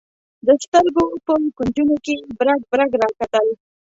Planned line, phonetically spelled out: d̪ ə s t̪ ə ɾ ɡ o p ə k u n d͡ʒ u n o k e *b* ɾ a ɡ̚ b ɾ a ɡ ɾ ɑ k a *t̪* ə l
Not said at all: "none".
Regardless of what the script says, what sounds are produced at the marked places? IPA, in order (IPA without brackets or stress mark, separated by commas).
b, t̪